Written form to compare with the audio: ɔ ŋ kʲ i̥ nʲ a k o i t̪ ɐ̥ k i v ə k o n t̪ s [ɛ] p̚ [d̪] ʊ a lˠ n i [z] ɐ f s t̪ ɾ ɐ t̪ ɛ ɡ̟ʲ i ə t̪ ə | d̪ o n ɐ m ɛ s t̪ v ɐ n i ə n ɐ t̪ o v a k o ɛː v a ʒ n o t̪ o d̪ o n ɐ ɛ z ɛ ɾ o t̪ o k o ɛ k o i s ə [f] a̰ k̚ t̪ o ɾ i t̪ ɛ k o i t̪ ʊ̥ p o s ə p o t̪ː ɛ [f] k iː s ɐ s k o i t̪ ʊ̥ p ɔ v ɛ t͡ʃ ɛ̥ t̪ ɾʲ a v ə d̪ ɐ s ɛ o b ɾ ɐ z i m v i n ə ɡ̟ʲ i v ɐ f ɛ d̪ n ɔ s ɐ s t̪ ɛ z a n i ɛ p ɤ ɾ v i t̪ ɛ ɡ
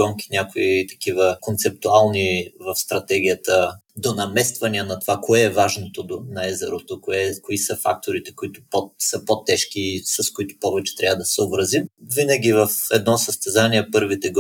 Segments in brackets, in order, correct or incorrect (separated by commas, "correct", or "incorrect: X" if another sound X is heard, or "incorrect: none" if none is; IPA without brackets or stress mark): correct, incorrect: t̪, incorrect: v, correct, incorrect: ʃ